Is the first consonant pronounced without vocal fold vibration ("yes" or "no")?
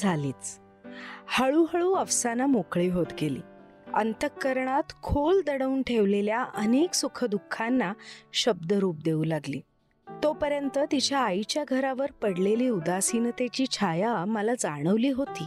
no